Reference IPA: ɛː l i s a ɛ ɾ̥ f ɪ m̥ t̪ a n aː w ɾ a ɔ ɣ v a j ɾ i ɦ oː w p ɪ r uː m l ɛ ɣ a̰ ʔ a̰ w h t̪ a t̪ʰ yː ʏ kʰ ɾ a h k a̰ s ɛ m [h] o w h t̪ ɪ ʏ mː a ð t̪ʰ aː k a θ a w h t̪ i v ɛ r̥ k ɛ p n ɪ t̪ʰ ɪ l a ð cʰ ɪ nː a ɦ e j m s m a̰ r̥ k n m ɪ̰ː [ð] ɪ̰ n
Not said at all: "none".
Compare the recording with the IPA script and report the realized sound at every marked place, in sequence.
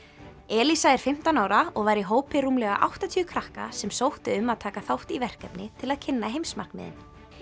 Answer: s, ð

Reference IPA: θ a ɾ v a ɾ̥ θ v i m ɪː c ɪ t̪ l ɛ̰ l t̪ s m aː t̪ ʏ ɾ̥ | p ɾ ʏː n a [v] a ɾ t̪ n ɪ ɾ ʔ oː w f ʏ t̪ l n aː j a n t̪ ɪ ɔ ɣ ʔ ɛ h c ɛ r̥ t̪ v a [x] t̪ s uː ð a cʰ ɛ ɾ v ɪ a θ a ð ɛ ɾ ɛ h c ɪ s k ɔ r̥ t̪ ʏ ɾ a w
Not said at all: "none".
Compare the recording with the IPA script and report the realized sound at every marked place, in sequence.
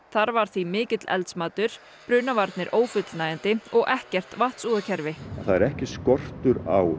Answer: v, h

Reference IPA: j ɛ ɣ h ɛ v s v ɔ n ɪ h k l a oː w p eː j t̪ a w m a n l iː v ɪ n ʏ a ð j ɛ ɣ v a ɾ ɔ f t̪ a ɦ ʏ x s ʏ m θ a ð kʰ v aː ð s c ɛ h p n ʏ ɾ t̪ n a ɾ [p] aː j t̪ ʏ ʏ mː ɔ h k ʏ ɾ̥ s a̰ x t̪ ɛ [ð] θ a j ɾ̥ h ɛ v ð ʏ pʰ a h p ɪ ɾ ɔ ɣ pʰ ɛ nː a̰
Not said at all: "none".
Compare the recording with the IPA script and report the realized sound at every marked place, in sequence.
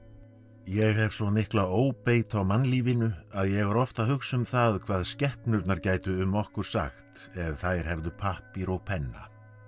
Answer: c, ð

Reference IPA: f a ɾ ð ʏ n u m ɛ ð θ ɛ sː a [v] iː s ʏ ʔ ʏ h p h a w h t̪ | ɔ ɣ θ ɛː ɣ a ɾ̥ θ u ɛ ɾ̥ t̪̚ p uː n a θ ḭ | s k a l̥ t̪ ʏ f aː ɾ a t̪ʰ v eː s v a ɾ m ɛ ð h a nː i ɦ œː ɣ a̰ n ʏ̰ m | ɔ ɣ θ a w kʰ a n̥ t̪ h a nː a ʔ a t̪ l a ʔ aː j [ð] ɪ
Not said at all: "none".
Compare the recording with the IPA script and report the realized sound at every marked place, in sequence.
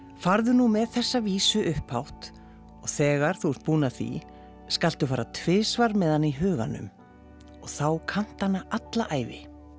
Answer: v, v

